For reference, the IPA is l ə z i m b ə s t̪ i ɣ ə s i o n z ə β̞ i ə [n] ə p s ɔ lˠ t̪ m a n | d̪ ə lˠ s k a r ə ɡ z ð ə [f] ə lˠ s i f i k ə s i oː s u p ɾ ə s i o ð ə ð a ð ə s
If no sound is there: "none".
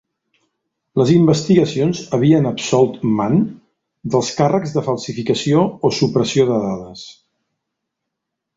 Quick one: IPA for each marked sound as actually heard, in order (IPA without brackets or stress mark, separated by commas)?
n, f